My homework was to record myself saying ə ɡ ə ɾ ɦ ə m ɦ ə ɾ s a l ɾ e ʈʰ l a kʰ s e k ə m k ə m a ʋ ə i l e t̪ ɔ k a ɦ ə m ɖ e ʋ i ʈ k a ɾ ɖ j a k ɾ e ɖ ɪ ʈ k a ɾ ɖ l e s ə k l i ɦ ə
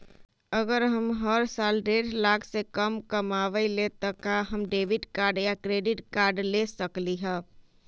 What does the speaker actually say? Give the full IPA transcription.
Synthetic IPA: ə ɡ ə ɾ ɦ ə m ɦ ə ɾ s a l ɾ e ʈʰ l a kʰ s e k ə m k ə m a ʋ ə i l e t̪ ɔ k a ɦ ə m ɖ e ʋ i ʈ k a ɾ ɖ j a k ɾ e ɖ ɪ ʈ k a ɾ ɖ l e s ə k l i ɦ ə